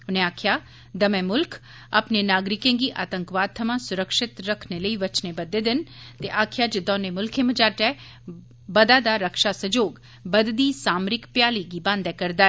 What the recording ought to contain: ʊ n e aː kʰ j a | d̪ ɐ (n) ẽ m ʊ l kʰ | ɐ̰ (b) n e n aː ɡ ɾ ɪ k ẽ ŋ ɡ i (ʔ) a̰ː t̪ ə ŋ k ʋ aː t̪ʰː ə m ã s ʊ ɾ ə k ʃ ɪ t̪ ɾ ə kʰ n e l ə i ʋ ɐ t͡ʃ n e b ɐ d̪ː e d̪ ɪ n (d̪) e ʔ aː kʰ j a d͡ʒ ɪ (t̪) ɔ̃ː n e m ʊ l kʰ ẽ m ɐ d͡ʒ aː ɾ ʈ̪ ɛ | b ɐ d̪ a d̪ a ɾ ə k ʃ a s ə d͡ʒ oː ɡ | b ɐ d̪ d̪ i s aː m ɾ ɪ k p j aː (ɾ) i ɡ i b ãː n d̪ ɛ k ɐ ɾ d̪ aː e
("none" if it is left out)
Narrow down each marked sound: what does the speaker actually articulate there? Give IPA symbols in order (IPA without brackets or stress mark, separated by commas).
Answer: m, p, ʔ, t̪, d̪, l